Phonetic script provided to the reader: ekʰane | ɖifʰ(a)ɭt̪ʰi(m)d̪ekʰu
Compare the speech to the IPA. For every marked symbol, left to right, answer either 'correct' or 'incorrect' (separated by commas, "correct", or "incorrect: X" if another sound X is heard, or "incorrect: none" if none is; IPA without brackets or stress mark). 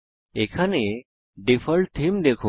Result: incorrect: ə, correct